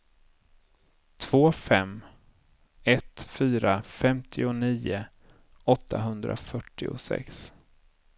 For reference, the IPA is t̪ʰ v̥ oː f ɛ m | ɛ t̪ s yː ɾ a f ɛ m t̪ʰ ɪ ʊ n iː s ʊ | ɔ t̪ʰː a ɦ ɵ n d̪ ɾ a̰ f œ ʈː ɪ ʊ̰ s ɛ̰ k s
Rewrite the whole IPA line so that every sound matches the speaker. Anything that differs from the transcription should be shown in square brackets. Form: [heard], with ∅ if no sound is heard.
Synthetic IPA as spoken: t̪ʰ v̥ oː f ɛ m | ɛ t̪ [f] yː ɾ a f ɛ m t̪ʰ ɪ ʊ n iː [∅] ʊ | ɔ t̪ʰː a ɦ ɵ n d̪ ɾ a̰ f œ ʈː ɪ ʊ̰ s ɛ̰ k s